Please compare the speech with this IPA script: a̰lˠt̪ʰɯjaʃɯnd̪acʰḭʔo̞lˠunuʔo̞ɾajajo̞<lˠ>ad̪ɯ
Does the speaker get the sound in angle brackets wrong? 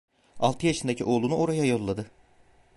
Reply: yes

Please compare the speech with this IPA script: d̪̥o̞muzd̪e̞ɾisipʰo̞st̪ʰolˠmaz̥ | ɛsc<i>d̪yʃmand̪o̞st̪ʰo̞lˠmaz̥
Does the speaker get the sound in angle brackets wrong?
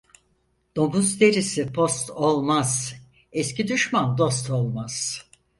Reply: no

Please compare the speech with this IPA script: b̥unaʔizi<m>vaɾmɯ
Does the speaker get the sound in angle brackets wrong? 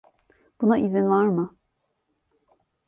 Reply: yes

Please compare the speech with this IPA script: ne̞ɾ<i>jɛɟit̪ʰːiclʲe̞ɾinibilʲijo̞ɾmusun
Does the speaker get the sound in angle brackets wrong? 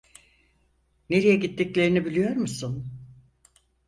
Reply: no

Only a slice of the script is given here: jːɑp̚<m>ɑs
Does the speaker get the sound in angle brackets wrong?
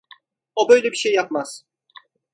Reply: no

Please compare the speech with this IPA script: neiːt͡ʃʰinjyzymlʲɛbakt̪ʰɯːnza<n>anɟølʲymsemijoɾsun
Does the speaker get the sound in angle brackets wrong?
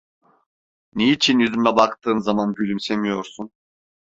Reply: yes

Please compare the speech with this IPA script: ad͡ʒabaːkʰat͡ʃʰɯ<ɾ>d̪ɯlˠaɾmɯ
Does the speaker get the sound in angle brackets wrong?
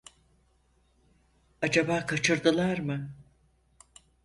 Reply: no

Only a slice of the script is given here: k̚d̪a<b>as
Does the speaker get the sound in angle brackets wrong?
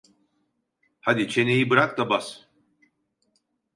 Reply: no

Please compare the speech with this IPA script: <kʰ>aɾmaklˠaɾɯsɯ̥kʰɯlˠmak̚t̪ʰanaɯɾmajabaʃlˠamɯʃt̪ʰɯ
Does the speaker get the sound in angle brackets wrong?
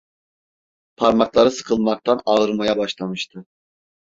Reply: yes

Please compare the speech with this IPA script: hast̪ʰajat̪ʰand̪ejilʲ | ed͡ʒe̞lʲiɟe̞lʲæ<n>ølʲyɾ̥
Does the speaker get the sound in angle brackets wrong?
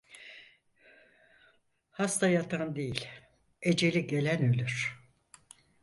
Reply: no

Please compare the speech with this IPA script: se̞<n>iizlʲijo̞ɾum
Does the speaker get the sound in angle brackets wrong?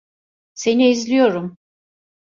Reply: no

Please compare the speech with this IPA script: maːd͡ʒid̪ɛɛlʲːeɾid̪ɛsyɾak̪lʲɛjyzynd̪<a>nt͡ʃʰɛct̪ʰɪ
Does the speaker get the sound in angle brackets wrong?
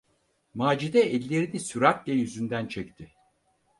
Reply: yes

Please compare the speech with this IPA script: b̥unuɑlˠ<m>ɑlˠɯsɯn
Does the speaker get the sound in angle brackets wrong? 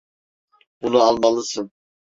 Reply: no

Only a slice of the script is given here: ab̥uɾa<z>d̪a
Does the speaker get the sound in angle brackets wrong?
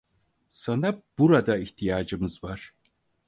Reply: yes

